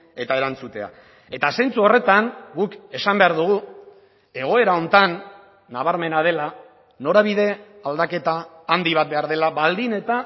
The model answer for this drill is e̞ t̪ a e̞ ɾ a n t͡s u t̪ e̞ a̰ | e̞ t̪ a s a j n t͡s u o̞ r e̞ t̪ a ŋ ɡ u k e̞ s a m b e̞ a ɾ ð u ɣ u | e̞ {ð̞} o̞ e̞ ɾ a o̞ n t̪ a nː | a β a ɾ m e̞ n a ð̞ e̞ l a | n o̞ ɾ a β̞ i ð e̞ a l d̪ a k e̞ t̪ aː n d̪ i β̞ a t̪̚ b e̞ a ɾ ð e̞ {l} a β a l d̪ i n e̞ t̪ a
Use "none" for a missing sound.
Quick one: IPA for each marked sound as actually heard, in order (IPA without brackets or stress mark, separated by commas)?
ɣ̞, l